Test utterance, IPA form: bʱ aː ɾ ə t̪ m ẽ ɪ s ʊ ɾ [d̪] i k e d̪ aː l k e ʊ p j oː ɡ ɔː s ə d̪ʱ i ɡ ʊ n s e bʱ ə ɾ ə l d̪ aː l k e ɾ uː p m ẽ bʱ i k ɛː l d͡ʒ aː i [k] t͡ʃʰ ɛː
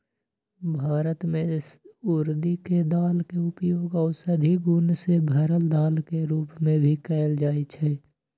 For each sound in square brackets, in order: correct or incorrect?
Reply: correct, incorrect: none

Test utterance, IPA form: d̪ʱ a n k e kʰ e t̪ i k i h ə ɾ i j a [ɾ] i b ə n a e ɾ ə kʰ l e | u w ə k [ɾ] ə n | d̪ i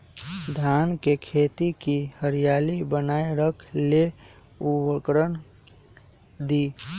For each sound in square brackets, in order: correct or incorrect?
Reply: incorrect: l, correct

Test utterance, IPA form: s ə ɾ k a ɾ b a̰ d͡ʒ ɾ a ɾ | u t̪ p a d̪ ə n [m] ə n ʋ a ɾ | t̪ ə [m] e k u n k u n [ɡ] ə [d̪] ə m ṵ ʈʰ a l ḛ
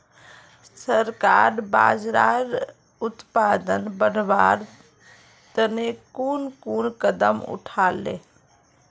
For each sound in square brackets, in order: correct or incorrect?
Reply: incorrect: b, incorrect: n, incorrect: k, correct

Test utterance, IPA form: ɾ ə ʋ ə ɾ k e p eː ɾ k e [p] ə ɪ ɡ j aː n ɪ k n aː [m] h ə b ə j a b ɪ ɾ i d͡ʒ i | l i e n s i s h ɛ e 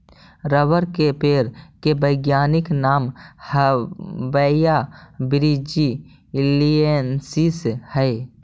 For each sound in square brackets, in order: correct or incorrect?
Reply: incorrect: b, correct

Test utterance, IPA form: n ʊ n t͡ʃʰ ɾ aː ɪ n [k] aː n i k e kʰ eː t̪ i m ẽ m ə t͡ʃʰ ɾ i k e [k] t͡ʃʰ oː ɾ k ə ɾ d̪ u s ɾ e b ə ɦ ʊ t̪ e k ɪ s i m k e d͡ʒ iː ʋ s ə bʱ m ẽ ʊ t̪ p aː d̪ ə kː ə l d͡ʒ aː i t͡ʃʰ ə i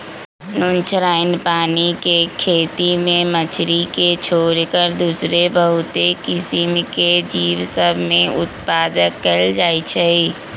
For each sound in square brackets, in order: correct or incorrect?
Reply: incorrect: p, incorrect: none

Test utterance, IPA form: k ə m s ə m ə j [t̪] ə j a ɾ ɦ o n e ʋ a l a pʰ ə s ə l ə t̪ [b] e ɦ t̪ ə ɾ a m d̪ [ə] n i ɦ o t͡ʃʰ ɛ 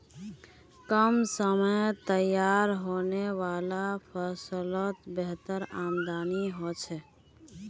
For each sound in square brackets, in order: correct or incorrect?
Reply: correct, correct, incorrect: a

